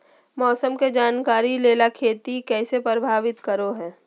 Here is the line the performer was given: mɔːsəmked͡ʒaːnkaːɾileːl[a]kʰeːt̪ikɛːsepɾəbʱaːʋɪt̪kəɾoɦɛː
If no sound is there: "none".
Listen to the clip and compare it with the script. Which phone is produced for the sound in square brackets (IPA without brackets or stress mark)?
a